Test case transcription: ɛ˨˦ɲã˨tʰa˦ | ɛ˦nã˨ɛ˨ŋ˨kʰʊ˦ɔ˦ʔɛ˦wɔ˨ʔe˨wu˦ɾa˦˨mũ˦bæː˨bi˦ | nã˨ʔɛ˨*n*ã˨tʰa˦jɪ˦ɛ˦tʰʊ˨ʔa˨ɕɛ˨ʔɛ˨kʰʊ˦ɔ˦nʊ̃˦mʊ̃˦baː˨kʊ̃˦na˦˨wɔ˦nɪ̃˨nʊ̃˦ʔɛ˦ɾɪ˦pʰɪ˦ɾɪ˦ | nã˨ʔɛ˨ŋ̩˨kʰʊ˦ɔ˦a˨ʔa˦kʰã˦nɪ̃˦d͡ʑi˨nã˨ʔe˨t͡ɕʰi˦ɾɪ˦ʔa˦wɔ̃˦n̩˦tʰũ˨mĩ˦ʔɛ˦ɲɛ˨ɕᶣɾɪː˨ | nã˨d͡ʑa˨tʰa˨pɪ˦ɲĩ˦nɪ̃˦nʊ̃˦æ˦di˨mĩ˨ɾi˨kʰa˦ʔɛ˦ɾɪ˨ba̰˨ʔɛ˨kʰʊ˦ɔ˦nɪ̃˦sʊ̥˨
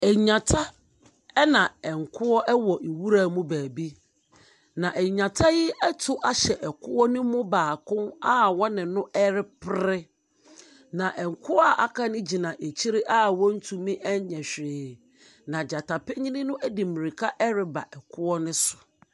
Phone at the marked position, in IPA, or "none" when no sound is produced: ɲ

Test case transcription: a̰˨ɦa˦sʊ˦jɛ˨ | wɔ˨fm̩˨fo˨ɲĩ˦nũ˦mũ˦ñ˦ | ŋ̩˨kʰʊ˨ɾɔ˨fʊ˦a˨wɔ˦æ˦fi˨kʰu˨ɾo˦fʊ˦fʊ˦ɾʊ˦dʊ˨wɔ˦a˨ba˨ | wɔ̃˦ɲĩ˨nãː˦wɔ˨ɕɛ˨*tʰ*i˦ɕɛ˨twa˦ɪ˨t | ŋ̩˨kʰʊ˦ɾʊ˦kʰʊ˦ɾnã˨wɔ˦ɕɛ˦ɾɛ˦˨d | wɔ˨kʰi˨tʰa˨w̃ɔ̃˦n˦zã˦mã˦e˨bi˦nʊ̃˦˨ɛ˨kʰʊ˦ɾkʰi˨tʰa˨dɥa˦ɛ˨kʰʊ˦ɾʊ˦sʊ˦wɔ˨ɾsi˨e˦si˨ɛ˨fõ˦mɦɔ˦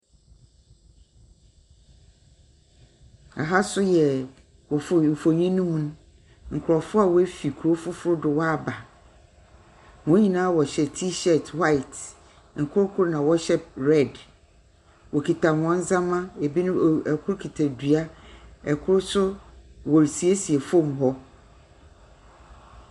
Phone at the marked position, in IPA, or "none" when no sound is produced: tʰ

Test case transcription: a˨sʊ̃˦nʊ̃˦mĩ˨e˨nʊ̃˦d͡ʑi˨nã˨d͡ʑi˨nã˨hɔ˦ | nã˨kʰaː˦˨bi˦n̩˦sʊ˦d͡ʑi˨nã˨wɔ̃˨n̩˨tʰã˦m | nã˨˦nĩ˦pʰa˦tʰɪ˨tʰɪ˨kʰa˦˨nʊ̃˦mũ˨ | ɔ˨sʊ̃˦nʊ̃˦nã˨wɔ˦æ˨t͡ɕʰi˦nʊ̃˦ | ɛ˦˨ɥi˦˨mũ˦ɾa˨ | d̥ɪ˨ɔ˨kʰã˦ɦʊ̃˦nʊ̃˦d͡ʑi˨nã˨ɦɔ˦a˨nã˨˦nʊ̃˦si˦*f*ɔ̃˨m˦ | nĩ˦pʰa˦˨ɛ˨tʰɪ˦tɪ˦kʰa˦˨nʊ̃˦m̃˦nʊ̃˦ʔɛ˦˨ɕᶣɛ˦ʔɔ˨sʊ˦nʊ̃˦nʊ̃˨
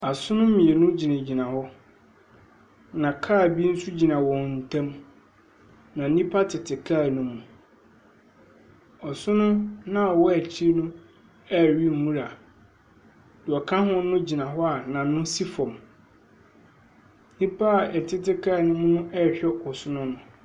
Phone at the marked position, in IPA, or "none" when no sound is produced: f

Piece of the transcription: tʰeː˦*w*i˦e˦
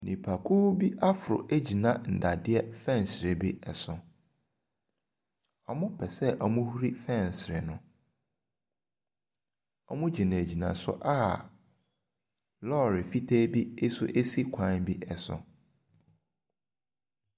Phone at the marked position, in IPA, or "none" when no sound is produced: b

